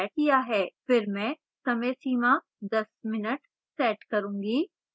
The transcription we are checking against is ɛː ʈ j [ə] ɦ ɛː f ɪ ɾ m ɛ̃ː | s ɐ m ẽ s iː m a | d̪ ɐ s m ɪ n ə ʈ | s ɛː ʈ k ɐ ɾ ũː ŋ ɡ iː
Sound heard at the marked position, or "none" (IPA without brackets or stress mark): a